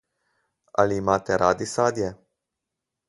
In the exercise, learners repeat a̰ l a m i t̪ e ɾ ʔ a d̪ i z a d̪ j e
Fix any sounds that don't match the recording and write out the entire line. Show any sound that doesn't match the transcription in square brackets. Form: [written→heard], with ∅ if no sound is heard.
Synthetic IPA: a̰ l [a→i] m [i→a] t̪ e ɾ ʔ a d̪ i [z→s] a d̪ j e